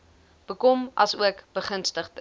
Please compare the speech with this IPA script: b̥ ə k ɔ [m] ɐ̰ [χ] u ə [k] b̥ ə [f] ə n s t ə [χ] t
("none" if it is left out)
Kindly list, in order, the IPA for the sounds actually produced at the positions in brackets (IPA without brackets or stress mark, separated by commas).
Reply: m, s, k, χ, χ